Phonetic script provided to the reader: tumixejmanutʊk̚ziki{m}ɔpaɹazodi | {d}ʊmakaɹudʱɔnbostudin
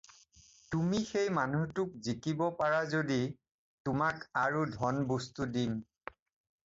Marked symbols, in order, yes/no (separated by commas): no, no